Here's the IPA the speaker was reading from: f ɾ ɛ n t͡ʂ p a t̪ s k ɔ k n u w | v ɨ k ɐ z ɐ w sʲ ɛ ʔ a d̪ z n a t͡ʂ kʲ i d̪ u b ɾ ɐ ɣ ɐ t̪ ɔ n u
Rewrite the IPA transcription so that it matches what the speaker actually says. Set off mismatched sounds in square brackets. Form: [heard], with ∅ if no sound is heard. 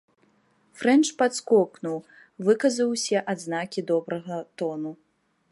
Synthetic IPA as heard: f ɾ ɛ n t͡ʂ p a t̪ s k ɔ k n u w | v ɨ k ɐ z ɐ w sʲ ɛ ʔ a d̪ z n a [∅] kʲ i d̪ [ɔ] b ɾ ɐ ɣ ɐ t̪ ɔ n u